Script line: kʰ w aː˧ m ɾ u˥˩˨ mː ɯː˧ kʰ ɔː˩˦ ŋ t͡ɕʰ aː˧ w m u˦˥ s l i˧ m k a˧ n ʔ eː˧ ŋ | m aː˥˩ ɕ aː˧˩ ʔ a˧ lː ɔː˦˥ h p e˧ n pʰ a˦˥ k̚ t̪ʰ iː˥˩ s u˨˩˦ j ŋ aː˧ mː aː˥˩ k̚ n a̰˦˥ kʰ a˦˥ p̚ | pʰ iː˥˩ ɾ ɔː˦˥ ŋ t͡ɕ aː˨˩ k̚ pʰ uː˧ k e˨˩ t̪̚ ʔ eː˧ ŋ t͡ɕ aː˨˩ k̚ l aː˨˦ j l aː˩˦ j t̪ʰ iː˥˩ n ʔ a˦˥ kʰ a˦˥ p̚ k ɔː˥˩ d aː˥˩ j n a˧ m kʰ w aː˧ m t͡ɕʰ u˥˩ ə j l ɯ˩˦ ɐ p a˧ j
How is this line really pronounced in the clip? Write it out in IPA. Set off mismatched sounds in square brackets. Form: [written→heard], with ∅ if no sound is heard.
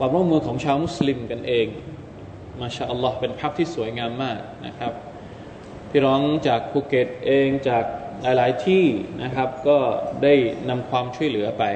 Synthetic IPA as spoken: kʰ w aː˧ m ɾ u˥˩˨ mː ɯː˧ kʰ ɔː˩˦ ŋ t͡ɕʰ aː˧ w m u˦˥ s l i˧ m k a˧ n ʔ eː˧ ŋ | m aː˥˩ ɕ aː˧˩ ʔ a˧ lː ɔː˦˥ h p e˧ n pʰ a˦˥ k̚ t̪ʰ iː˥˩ s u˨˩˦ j ŋ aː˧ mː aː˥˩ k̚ n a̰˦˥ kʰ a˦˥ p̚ | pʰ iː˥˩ ɾ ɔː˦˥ ŋ t͡ɕ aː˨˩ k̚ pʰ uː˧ k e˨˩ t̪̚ ʔ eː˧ ŋ t͡ɕ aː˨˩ k̚ l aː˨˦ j l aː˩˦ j t̪ʰ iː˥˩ n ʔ a˦˥ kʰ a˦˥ p̚ k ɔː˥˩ d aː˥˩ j n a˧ m kʰ w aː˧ m t͡ɕʰ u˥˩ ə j l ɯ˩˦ ɐ p a˧ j